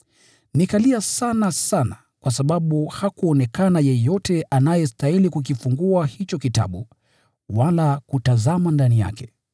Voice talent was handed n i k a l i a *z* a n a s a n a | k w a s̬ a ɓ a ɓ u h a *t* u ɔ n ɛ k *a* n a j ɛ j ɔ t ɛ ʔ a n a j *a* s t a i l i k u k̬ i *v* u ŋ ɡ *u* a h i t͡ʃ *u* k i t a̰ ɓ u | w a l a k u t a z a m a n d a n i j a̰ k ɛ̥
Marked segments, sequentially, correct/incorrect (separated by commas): incorrect, incorrect, correct, incorrect, incorrect, correct, incorrect